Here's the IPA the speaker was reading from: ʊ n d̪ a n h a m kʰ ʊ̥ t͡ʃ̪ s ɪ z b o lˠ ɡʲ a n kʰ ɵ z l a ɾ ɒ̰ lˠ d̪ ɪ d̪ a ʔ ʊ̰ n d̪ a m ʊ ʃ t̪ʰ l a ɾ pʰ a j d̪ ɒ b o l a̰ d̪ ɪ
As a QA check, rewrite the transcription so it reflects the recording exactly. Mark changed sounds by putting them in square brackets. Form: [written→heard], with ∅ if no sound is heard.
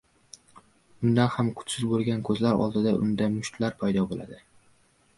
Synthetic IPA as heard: ʊ n d̪ a n h a m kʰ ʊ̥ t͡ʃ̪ s ɪ z b o lˠ ɡʲ a n kʰ ɵ z l a ɾ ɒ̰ lˠ d̪ ɪ d̪ a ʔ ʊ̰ n d̪ a m ʊ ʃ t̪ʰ l a ɾ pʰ a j d̪ ɒ b o l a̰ d̪ ɪ

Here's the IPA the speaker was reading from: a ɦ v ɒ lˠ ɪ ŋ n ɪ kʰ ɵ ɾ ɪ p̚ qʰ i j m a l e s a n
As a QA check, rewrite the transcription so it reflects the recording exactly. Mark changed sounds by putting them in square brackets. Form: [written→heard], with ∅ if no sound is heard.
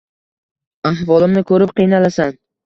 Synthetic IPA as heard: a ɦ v ɒ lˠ ɪ [ŋ→m] n ɪ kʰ ɵ ɾ ɪ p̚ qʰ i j [m→n] a l [e→a] s a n

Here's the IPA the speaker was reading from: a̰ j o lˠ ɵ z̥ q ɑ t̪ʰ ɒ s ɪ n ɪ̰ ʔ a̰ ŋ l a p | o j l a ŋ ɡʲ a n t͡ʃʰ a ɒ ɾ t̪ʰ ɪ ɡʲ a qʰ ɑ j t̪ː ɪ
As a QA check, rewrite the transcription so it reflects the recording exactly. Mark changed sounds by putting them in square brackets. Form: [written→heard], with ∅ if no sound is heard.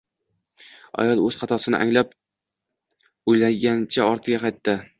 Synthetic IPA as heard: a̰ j [o→ɒ] lˠ ɵ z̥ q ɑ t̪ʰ ɒ s ɪ n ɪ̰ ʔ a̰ ŋ l a p | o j l a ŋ ɡʲ a n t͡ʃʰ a ɒ ɾ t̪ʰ ɪ ɡʲ a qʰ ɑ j t̪ː ɪ

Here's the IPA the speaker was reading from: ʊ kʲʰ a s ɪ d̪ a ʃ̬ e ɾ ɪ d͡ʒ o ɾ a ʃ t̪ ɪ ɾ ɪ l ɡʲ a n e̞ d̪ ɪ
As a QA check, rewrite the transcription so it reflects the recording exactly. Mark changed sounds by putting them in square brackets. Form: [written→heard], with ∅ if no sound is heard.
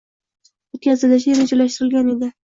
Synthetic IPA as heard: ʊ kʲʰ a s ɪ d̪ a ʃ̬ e ɾ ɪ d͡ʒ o [ɾ→l] a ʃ t̪ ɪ ɾ ɪ l ɡʲ a n e̞ d̪ ɪ

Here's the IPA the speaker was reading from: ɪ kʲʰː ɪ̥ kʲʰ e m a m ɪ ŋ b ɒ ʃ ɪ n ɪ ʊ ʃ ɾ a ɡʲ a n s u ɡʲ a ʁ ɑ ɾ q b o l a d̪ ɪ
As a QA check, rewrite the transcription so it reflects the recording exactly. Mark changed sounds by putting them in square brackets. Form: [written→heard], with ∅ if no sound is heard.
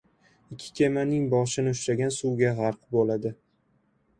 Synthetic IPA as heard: ɪ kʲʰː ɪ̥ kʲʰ e m a [m→n] ɪ ŋ b ɒ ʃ ɪ n ɪ ʊ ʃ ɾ a ɡʲ a n s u ɡʲ a ʁ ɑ ɾ q b o l a d̪ ɪ

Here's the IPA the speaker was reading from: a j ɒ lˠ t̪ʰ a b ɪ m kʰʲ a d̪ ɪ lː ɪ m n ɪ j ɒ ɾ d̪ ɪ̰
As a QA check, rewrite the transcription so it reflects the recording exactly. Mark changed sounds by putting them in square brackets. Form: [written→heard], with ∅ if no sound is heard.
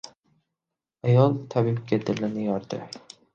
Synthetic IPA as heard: a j ɒ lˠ t̪ʰ a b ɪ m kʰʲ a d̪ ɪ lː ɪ [m→∅] n ɪ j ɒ ɾ d̪ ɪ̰

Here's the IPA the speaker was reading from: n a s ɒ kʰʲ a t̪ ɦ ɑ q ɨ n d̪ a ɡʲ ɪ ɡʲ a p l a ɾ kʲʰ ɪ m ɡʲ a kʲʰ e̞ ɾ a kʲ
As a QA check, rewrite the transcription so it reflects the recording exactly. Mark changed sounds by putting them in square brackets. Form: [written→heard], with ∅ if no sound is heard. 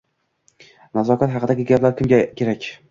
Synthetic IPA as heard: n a [s→z] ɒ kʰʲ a t̪ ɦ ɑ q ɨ [n→∅] d̪ a ɡʲ ɪ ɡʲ a p l a ɾ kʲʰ ɪ m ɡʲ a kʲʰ e̞ ɾ a kʲ

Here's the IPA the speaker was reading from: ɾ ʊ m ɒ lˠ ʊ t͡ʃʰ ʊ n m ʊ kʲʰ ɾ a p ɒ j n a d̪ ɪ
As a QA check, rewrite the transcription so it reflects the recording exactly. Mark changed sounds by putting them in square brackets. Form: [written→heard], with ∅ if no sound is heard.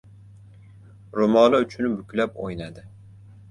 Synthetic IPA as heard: ɾ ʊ m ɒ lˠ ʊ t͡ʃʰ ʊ n [m→b] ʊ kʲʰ [ɾ→l] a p [ɒ→o] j n a d̪ ɪ

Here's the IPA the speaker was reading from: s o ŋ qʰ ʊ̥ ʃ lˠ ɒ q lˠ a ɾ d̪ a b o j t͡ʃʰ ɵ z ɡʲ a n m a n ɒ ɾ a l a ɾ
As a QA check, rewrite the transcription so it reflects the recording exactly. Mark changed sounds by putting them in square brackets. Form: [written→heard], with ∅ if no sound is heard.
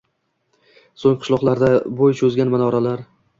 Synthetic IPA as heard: s o ŋ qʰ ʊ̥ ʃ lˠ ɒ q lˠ a ɾ d̪ a b o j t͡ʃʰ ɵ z ɡʲ a n m a n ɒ ɾ a l a ɾ

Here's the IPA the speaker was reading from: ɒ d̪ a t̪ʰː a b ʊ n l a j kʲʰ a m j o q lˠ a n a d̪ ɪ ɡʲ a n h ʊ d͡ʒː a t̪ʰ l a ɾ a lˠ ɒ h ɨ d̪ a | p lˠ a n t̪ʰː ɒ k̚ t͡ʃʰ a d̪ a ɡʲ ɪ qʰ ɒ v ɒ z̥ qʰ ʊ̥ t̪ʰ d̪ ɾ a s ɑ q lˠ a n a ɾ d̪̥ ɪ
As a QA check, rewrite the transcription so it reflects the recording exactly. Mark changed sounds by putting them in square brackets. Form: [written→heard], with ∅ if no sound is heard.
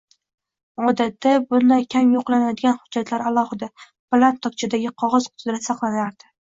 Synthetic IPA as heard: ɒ d̪ a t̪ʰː a b ʊ n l a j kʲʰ a m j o q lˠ a n a d̪ ɪ ɡʲ a n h ʊ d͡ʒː a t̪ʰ l a ɾ a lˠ ɒ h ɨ d̪ a | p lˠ a n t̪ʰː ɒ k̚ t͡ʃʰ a d̪ a ɡʲ ɪ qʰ ɒ [v→ʁ] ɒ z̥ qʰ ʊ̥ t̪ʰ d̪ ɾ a s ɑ q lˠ a n a ɾ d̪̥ ɪ

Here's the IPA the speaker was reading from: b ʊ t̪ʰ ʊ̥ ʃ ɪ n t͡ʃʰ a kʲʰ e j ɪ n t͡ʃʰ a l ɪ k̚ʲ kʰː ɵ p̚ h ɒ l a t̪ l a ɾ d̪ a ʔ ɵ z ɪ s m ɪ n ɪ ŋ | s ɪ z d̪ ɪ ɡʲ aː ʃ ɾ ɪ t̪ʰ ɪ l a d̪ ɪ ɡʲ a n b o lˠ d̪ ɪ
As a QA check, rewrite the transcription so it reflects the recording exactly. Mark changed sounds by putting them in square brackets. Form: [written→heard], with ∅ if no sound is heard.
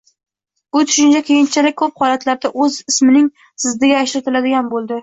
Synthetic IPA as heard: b ʊ t̪ʰ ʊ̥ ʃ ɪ n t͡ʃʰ a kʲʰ e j ɪ n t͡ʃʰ a l ɪ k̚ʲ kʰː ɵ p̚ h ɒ l a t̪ l a ɾ d̪ a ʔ ɵ z ɪ s m ɪ n ɪ ŋ | s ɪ z d̪ ɪ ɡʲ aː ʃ ɾ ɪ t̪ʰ ɪ l a d̪ ɪ ɡʲ a n b o lˠ d̪ ɪ

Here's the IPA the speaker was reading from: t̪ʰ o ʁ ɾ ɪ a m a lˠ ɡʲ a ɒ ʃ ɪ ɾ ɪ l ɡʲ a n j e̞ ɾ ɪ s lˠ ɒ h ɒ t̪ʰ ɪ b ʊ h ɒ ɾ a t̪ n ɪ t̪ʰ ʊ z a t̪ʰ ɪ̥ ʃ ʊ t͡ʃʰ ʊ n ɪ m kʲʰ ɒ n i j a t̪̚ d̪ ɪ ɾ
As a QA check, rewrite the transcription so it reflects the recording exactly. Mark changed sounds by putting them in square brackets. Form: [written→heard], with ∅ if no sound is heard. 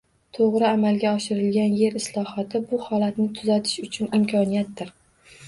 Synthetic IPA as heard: t̪ʰ o ʁ ɾ ɪ a m a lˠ ɡʲ a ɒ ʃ ɪ ɾ ɪ l ɡʲ a n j e̞ ɾ ɪ s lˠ ɒ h ɒ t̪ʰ ɪ b ʊ h ɒ [ɾ→l] a t̪ n ɪ t̪ʰ ʊ z a t̪ʰ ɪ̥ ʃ ʊ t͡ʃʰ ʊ n ɪ m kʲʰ ɒ n i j a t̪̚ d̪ ɪ ɾ

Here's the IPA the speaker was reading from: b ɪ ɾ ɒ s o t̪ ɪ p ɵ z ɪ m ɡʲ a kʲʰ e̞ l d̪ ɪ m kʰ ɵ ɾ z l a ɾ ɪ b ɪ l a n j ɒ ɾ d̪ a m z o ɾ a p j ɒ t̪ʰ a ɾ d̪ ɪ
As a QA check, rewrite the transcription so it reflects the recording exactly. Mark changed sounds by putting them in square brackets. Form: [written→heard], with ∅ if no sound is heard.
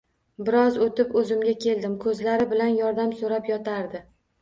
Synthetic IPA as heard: b ɪ ɾ ɒ [s→z] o t̪ ɪ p ɵ z ɪ m ɡʲ a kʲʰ e̞ l d̪ ɪ m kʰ ɵ [ɾ→∅] z l a ɾ ɪ b ɪ l a n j ɒ ɾ d̪ a m [z→s] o ɾ a p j ɒ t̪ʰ a ɾ d̪ ɪ

